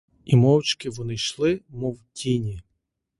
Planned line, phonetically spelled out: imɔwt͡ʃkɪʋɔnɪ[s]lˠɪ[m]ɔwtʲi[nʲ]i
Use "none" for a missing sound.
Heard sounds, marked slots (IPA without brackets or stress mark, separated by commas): ʃ, m, nʲ